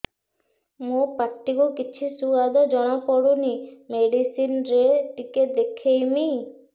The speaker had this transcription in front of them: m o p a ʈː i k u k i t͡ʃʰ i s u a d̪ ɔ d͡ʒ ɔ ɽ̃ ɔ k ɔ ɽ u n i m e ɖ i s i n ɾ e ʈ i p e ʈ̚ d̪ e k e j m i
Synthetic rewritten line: m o p a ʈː i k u k i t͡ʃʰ i s u a d̪ ɔ d͡ʒ ɔ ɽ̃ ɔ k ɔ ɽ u n i m e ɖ i s i n ɾ e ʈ i k e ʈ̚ d̪ e kʰ e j m i